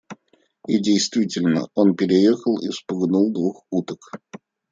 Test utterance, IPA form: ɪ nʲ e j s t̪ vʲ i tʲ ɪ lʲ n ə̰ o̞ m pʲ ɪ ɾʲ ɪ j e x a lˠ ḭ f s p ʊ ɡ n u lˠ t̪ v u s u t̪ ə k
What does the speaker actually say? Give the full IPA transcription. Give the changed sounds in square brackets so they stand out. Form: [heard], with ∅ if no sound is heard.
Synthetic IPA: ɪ [dʲ] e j s t̪ vʲ i tʲ ɪ lʲ n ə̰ o̞ [n] pʲ ɪ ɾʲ ɪ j e x [ə] lˠ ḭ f s p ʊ ɡ n u lˠ [d̪] v u [x] u t̪ ə k

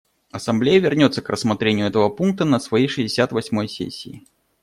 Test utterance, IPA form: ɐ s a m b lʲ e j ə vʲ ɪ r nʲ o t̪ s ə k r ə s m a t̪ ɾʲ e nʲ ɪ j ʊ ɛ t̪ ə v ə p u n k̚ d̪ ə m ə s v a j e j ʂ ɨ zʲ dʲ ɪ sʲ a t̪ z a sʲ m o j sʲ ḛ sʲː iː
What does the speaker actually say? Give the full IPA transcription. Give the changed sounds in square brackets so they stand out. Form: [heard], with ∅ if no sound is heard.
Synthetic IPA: ɐ s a m b lʲ e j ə vʲ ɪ r nʲ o t̪ s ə k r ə s m a t̪ ɾʲ e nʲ ɪ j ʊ ɛ t̪ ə v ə p u n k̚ [t̪] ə [n] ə s v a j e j ʂ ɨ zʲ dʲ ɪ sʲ a t̪ [v] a sʲ m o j sʲ ḛ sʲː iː

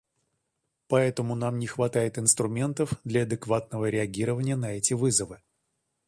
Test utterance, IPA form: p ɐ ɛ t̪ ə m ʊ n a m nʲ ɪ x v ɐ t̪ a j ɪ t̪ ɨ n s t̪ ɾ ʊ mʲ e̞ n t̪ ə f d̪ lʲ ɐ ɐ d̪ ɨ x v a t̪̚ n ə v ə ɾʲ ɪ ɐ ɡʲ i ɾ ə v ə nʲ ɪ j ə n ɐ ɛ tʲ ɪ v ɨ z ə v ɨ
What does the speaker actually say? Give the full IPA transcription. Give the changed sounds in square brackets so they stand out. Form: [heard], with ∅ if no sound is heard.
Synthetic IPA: p ɐ ɛ t̪ ə m ʊ n a m nʲ ɪ x v ɐ t̪ a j ɪ t̪ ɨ n s t̪ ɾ ʊ mʲ e̞ n t̪ ə f d̪ lʲ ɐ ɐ d̪ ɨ [k] v a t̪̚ n ə v ə ɾʲ ɪ ɐ ɡʲ i ɾ ə v ə nʲ ɪ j ə n ɐ ɛ tʲ ɪ v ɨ z ə v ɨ

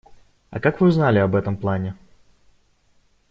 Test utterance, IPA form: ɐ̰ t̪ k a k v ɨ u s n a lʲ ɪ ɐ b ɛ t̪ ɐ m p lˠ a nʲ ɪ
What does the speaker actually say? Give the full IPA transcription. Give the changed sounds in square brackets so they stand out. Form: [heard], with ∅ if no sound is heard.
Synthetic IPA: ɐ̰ [∅] k a k v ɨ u [z] n a lʲ ɪ ɐ b ɛ t̪ [ə] m p lˠ a nʲ ɪ

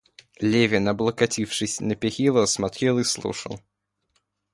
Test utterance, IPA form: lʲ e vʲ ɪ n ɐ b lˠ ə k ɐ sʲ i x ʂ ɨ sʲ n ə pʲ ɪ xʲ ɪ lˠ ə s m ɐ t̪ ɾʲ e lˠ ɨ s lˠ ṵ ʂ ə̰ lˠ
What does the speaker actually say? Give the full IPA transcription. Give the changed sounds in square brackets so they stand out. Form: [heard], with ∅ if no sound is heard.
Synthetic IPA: lʲ e vʲ ɪ n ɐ b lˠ ə k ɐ [tʲ] i [f] ʂ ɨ sʲ n ə pʲ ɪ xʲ [i] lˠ ə s m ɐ t̪ ɾʲ e lˠ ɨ s lˠ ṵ ʂ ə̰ lˠ

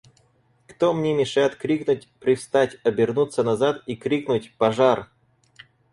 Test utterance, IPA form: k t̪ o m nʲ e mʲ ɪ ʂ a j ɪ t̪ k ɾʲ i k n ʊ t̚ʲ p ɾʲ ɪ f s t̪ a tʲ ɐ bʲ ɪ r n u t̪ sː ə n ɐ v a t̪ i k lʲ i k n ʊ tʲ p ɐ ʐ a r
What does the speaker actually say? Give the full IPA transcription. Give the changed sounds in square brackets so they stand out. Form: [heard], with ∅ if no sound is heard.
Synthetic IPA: k t̪ o m nʲ e mʲ ɪ ʂ a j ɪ t̪ k ɾʲ i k n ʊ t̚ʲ p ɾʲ ɪ f s t̪ a tʲ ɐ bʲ ɪ r n u t̪ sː ə n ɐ [z] a t̪ i k [ɾʲ] i k n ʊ tʲ p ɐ ʐ a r

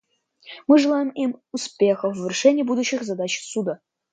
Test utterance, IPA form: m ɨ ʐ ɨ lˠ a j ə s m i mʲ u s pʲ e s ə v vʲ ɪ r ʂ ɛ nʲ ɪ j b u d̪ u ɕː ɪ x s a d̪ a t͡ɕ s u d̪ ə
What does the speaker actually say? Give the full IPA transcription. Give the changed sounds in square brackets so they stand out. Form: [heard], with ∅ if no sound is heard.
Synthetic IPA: m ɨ ʐ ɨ lˠ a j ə [∅] m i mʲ u s pʲ e [x] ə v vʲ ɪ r ʂ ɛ nʲ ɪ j b u d̪ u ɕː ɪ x [z] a d̪ a t͡ɕ s u d̪ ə

